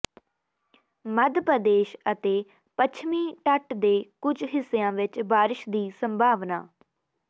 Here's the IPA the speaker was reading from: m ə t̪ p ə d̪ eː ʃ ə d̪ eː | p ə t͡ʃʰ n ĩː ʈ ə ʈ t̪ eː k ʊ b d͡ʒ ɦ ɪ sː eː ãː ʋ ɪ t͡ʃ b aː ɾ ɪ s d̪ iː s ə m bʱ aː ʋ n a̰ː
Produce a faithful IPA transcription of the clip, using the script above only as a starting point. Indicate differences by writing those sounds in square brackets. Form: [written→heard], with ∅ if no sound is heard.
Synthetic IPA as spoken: m ə [t̪→d̪] p ə d̪ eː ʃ ə [d̪→t̪] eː | p ə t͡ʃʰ [n→m] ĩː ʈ ə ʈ [t̪→d̪] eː k ʊ [b→∅] d͡ʒ ɦ ɪ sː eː ãː ʋ ɪ t͡ʃ b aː ɾ ɪ [s→ʃ] d̪ iː s ə m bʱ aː ʋ n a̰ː

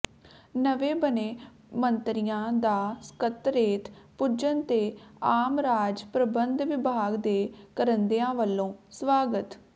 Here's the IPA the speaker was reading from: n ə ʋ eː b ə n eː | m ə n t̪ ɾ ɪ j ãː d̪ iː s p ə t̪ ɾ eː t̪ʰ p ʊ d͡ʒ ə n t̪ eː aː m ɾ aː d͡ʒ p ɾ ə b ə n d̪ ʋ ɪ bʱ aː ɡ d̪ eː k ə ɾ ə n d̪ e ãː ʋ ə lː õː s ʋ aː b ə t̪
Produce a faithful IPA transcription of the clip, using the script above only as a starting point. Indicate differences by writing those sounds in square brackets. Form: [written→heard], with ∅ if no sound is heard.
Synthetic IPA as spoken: n ə ʋ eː b ə n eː | m ə n t̪ ɾ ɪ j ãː d̪ [iː→aː] s [p→k] ə t̪ ɾ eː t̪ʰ p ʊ d͡ʒ ə n t̪ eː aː m ɾ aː d͡ʒ p ɾ ə b ə n d̪ ʋ ɪ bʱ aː ɡ d̪ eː k ə ɾ ə n d̪ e ãː ʋ ə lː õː s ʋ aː [b→ɡ] ə t̪

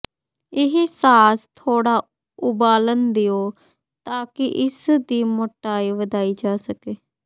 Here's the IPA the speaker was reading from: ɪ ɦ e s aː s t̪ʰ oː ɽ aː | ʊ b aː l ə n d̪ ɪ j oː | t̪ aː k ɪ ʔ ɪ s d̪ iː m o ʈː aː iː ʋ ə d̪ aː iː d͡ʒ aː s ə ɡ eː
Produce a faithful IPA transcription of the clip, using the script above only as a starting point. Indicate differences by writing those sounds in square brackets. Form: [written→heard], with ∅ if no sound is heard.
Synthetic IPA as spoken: ɪ ɦ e s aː s t̪ʰ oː ɽ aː | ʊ b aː l ə n d̪ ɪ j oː | t̪ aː k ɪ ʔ ɪ s d̪ iː m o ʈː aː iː ʋ ə d̪ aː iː d͡ʒ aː s ə [ɡ→k] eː

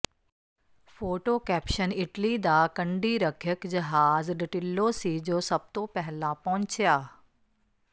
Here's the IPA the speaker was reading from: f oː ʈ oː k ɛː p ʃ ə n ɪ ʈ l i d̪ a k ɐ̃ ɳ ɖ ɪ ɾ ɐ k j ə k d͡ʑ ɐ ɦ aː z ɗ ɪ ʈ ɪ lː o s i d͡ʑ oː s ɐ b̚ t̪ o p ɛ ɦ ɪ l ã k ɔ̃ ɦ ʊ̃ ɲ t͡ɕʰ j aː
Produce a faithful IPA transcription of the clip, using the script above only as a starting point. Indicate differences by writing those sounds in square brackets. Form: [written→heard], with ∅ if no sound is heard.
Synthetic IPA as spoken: f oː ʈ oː k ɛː p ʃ ə n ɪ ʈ l i d̪ a k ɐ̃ ɳ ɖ [ɪ→i] ɾ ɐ [k→kʰ] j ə k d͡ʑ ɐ ɦ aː z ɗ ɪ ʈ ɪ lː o s i d͡ʑ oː s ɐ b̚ t̪ o p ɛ ɦ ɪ l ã [k→p] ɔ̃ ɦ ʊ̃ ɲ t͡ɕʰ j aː

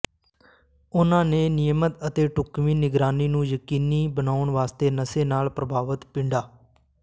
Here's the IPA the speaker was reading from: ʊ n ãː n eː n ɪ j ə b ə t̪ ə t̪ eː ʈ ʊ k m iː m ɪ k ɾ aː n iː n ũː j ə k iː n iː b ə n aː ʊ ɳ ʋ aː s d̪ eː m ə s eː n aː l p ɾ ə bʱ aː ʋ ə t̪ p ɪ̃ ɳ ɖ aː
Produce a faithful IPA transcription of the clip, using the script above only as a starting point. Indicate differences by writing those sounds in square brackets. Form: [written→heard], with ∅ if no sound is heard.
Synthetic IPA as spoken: ʊ n ãː n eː n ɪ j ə [b→m] ə t̪ ə t̪ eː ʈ ʊ k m iː [m→n] ɪ [k→ɡ] ɾ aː n iː n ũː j ə k iː n iː b ə n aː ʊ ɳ ʋ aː s [d̪→t̪] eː [m→n] ə s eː n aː l p ɾ ə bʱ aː ʋ ə t̪ p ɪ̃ ɳ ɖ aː

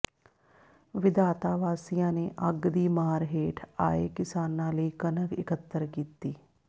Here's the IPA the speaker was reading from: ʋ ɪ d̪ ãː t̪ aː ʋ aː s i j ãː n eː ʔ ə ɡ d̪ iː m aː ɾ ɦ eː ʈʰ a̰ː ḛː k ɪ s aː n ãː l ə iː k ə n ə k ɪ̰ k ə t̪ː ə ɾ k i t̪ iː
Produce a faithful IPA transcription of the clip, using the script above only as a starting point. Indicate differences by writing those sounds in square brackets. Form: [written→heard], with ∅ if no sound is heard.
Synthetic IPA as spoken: ʋ ɪ d̪ [ãː→aː] t̪ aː ʋ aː s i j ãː n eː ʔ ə ɡ d̪ iː m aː ɾ ɦ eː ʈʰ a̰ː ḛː k ɪ s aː n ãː l ə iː k ə n ə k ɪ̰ k ə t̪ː ə ɾ k [i→iː] t̪ iː

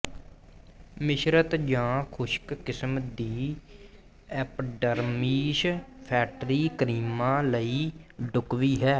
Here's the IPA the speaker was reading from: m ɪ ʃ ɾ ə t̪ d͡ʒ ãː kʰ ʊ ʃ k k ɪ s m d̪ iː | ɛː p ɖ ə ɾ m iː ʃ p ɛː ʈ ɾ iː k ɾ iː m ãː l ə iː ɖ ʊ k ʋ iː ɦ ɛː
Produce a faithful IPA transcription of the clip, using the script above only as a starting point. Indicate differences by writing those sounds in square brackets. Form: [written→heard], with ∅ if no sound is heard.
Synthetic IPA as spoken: m ɪ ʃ ɾ ə t̪ d͡ʒ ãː kʰ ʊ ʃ k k ɪ s m d̪ iː | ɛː p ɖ ə ɾ m iː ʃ [p→pʰ] ɛː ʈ ɾ iː k ɾ iː m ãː l ə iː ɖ ʊ k ʋ iː ɦ ɛː

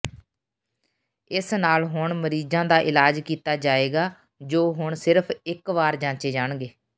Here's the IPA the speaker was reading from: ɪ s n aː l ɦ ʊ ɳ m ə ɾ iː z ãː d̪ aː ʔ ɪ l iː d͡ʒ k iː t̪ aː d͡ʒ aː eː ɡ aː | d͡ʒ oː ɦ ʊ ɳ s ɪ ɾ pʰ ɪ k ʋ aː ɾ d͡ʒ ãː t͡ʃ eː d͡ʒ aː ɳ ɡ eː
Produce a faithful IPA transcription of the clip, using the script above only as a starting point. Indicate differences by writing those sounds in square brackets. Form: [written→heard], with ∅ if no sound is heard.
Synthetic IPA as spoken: ɪ s n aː l ɦ ʊ ɳ m ə ɾ iː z ãː d̪ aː ʔ ɪ l [iː→aː] d͡ʒ k iː t̪ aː d͡ʒ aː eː ɡ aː | d͡ʒ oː ɦ ʊ ɳ s ɪ ɾ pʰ ɪ k ʋ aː ɾ d͡ʒ ãː t͡ʃ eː d͡ʒ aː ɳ ɡ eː

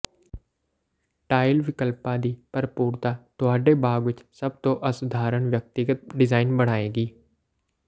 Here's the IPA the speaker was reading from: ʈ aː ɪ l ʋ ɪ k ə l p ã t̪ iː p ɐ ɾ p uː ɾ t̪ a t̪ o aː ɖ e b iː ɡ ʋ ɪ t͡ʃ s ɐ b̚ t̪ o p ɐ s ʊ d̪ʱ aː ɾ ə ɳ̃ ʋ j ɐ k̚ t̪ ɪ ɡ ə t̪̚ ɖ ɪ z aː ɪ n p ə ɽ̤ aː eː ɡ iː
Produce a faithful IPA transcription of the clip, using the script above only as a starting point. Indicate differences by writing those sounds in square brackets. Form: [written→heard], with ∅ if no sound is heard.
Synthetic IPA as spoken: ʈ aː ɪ l ʋ ɪ k ə l p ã [t̪→d̪] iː p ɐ ɾ p uː ɾ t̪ a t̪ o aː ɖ e b [iː→aː] ɡ ʋ ɪ t͡ʃ s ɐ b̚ t̪ o [p→ʔ] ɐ s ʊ d̪ʱ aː ɾ ə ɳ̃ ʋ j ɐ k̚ t̪ ɪ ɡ ə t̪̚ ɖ ɪ z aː ɪ n [p→b] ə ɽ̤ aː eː ɡ iː

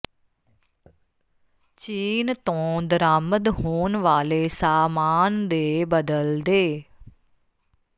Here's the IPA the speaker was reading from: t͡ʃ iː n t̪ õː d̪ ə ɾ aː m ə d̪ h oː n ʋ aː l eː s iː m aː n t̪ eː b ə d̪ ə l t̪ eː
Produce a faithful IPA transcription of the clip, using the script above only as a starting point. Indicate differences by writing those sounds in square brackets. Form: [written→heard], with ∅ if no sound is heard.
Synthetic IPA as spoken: t͡ʃ iː n t̪ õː d̪ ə ɾ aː m ə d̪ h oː n ʋ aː l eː s [iː→aː] m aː n [t̪→d̪] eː b ə d̪ ə l [t̪→d̪] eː

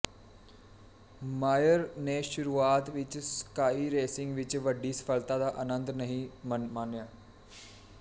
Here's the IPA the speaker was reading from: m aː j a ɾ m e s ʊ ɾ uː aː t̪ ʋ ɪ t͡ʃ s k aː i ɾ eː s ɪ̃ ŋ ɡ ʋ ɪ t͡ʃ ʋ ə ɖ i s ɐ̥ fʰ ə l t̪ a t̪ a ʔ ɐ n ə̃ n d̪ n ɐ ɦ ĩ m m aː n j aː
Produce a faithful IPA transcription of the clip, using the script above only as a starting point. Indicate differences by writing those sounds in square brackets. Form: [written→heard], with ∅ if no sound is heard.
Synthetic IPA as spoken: m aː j [a→ə] ɾ [m→n] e [s→ʃ] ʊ ɾ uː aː t̪ ʋ ɪ t͡ʃ s k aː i ɾ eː s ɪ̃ ŋ ɡ ʋ ɪ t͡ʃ ʋ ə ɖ i s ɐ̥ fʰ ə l t̪ a [t̪→d̪] a ʔ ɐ n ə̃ n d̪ n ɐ ɦ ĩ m m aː n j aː

